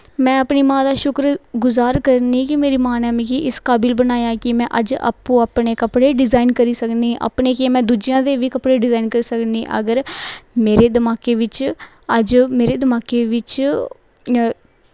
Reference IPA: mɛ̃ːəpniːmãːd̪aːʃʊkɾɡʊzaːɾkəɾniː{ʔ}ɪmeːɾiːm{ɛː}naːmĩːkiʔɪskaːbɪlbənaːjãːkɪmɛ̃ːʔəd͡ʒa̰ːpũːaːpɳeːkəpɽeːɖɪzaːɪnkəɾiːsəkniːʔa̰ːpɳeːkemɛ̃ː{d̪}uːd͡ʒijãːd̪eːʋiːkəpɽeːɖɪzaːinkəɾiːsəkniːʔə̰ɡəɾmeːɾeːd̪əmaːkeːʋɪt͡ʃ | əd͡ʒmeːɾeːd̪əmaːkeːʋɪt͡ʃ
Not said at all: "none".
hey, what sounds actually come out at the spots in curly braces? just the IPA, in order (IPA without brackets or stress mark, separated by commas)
k, aː, d̪